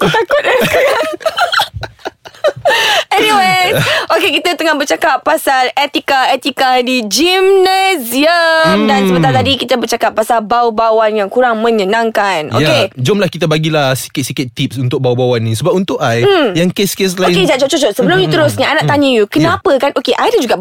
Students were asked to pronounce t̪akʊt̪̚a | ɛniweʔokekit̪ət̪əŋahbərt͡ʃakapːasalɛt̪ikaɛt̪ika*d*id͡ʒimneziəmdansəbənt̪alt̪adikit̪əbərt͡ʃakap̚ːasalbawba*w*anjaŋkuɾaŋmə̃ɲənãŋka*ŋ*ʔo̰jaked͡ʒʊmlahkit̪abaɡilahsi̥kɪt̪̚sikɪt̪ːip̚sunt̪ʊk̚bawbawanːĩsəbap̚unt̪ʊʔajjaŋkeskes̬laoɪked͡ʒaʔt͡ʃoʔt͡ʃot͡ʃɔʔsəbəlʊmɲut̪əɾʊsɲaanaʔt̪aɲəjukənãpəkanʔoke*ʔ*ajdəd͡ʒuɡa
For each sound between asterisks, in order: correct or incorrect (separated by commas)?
correct, correct, incorrect, correct